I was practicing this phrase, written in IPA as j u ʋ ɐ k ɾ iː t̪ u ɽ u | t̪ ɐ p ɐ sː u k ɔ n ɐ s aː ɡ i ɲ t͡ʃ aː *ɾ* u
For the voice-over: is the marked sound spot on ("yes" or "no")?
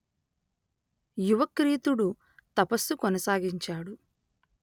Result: no